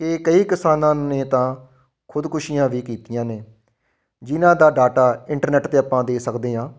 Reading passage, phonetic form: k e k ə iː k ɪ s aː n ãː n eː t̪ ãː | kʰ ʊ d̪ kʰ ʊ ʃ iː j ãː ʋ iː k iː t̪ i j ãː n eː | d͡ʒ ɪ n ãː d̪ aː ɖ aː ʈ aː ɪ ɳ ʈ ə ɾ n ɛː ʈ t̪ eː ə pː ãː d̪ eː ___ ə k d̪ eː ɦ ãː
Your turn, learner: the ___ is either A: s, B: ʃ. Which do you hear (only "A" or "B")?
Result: A